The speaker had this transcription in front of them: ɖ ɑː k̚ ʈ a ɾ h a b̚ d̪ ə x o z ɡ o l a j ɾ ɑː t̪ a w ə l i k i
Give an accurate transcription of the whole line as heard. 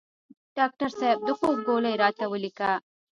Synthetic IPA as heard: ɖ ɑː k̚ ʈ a ɾ s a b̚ d̪ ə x o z ɡ o l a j ɾ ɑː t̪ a w ə l i k a